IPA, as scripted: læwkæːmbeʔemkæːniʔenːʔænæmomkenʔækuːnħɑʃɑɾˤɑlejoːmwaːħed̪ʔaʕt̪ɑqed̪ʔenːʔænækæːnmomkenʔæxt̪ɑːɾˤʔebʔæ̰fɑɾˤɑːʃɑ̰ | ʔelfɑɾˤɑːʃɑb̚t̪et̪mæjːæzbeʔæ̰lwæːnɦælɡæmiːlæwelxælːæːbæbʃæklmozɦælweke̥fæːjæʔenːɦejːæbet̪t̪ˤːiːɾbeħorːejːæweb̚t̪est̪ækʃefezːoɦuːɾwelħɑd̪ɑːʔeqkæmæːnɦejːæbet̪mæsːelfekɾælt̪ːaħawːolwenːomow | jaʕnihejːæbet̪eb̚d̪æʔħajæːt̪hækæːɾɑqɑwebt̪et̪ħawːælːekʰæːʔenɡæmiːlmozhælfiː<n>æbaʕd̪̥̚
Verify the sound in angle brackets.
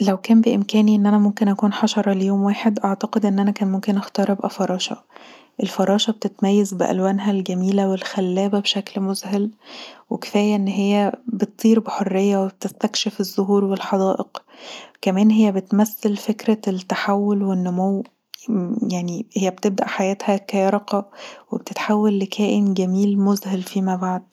incorrect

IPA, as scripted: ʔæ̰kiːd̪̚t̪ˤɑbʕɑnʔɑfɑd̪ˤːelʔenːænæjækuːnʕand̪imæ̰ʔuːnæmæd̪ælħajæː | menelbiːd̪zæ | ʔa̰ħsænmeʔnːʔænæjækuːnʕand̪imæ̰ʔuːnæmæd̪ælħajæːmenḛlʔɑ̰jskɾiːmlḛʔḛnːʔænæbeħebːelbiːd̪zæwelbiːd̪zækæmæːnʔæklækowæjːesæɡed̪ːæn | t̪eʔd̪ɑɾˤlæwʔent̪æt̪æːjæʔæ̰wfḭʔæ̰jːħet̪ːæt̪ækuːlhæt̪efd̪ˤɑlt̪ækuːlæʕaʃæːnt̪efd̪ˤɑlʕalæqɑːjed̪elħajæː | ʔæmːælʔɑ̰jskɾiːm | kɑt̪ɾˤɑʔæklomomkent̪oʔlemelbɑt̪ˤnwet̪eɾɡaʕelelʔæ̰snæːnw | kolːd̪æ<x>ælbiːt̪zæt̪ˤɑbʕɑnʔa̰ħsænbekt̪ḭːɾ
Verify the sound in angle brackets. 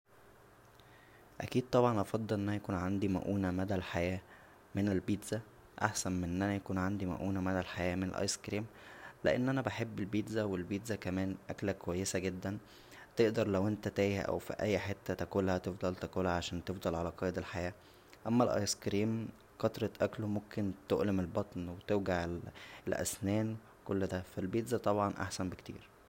incorrect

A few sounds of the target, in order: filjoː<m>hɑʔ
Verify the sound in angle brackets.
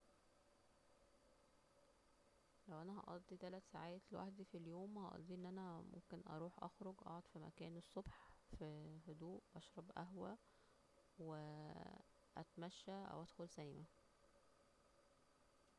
correct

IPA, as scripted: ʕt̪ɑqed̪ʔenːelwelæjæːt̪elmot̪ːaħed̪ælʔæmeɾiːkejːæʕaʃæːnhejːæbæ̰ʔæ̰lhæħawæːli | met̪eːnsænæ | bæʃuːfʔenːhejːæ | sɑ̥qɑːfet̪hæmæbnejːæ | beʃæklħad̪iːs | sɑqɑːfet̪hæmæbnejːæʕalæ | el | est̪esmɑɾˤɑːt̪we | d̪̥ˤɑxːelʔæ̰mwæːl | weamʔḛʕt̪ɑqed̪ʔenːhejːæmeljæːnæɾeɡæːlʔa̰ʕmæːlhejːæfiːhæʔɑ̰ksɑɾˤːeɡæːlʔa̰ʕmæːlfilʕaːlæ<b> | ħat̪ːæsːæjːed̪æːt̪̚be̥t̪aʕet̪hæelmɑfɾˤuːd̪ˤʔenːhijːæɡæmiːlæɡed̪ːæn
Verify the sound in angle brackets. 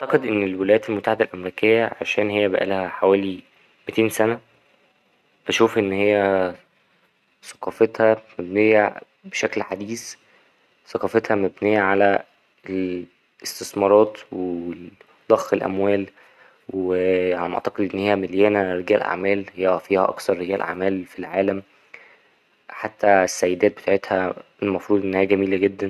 incorrect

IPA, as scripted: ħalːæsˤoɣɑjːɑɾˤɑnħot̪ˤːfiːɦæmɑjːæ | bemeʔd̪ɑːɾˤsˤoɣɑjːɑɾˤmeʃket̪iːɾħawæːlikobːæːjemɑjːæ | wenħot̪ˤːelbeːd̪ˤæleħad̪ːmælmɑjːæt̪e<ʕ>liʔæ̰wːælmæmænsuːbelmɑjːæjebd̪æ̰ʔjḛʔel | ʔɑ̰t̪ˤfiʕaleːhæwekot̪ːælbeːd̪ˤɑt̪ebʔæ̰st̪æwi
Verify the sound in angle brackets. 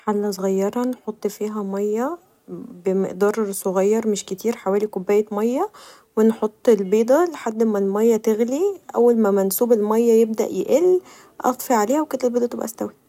incorrect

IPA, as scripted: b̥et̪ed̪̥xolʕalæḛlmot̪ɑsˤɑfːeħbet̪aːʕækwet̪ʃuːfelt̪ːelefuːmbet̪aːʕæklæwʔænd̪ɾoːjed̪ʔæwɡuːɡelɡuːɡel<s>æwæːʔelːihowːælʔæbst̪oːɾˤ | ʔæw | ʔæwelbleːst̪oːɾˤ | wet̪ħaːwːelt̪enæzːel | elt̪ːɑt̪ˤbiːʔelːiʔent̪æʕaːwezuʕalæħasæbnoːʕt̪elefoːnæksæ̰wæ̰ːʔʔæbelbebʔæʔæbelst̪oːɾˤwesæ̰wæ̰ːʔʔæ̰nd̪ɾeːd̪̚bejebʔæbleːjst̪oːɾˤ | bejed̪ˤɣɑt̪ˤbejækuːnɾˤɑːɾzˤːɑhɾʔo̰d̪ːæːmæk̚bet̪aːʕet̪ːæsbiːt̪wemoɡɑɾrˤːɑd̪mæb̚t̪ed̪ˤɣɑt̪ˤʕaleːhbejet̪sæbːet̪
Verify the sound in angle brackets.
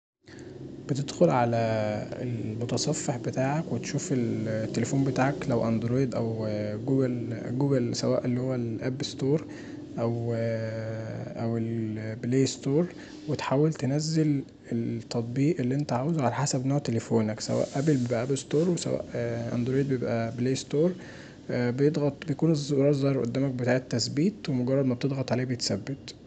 correct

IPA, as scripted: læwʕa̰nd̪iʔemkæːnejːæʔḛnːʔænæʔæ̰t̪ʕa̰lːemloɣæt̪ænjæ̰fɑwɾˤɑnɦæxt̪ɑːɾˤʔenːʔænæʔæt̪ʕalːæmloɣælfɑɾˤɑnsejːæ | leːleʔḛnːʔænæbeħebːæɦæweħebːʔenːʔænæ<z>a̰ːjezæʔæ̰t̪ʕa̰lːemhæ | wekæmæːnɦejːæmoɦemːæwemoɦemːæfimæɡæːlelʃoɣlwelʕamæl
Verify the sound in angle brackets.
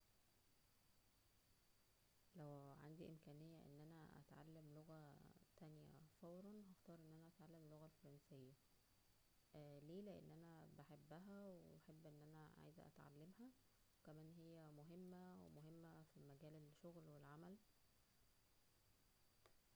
incorrect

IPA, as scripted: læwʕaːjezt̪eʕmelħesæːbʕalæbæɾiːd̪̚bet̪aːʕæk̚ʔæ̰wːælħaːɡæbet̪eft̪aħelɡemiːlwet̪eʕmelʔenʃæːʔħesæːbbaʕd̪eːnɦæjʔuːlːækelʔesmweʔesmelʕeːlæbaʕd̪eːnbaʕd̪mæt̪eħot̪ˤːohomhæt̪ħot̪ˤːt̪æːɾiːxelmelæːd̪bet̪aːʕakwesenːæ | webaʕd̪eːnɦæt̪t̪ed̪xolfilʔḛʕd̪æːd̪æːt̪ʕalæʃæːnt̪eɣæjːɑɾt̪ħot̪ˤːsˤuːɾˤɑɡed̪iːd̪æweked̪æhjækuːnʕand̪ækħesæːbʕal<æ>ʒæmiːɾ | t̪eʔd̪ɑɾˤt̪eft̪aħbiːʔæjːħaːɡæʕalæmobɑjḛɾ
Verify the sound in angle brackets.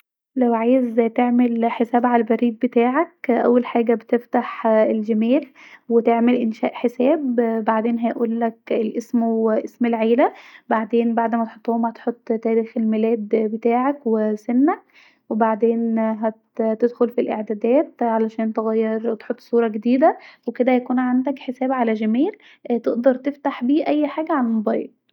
correct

